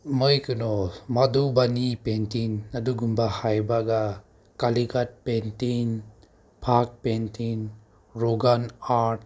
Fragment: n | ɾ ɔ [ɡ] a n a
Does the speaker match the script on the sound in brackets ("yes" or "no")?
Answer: yes